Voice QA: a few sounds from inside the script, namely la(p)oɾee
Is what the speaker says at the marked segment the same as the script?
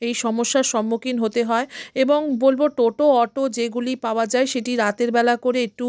no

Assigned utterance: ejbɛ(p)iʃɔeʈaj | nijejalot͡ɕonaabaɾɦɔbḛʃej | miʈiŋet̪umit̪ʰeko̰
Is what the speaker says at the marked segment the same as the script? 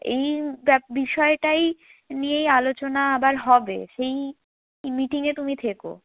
no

